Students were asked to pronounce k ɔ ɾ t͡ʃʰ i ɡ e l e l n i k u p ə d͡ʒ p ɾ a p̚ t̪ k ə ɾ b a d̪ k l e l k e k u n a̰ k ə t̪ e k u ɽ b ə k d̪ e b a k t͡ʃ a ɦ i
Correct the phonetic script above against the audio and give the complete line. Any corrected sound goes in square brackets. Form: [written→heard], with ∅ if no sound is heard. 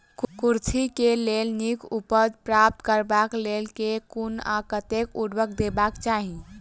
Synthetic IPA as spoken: k [ɔ→u] ɾ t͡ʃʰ i [ɡ→k] e l e l n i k u p ə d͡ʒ p ɾ a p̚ t̪ k ə ɾ b a [d̪→∅] k l e l k e k u n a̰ k ə t̪ e k u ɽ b ə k d̪ e b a k t͡ʃ a ɦ i